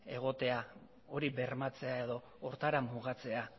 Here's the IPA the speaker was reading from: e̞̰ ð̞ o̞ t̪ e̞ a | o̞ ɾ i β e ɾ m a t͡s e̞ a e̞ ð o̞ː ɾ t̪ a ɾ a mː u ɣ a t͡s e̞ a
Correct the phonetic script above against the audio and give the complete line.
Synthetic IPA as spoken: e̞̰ ɣ̞ o̞ t̪ e̞ a | o̞ ɾ i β e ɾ m a t͡s e̞ a e̞ ð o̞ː ɾ t̪ a ɾ a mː u ɣ a t͡s e̞ a